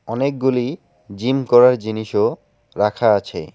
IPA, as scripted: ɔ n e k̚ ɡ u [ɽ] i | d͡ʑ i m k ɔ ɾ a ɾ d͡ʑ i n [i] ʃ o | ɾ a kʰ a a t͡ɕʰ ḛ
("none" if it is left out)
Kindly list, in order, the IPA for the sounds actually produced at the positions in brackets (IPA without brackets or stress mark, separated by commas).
l, i